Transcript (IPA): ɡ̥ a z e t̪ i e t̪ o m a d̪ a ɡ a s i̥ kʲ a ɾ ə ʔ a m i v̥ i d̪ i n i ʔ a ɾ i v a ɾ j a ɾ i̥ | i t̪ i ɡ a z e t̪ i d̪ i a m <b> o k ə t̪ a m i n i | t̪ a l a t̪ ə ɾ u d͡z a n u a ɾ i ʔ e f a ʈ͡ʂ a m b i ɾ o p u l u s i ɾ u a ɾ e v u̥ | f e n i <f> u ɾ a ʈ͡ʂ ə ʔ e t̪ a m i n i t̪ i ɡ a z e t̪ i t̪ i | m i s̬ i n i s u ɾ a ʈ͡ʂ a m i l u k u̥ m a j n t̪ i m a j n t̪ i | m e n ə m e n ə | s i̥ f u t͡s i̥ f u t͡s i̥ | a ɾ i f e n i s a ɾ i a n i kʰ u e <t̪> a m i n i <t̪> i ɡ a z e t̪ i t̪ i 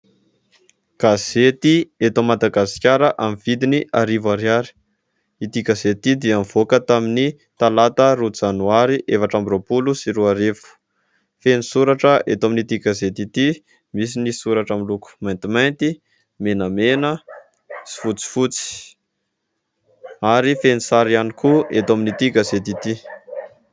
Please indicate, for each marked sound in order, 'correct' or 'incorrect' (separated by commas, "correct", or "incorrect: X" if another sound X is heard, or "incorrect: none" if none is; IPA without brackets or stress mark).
incorrect: v, incorrect: s, correct, correct